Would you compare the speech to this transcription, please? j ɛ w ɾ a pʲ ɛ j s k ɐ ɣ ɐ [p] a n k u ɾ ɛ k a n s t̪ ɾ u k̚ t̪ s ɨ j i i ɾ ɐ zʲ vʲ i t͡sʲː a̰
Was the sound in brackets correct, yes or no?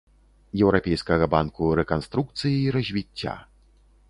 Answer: no